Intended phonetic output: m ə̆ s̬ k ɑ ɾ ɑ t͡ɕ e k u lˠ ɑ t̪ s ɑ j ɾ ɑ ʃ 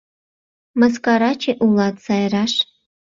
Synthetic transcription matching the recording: m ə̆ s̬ k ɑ ɾ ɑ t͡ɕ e ʔ u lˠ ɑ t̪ s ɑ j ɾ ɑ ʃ